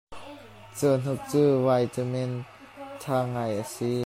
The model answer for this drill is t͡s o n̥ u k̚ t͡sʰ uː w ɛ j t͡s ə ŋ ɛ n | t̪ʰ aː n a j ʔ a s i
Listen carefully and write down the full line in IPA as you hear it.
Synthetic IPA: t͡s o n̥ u k̚ t͡s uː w a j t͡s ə m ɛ n | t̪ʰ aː ŋ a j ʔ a s i